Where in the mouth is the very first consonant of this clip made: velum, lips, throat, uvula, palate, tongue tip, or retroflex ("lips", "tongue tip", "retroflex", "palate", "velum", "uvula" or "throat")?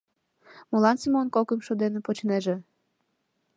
lips